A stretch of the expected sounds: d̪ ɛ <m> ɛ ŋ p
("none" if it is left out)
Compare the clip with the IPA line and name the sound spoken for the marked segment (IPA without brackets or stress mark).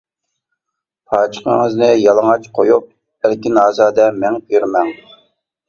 m